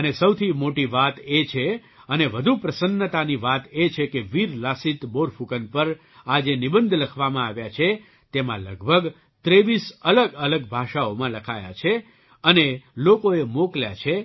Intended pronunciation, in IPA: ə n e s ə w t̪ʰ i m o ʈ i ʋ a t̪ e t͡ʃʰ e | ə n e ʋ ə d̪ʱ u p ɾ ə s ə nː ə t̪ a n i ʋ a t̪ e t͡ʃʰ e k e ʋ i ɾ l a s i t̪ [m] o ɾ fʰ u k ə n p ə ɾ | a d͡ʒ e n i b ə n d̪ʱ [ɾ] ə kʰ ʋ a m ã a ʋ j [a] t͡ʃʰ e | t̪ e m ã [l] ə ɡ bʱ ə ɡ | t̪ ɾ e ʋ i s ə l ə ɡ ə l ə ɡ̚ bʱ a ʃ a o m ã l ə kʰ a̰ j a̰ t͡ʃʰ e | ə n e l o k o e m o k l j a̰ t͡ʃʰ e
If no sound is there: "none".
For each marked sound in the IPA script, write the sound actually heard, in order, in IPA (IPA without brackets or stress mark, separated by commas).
b, l, a, l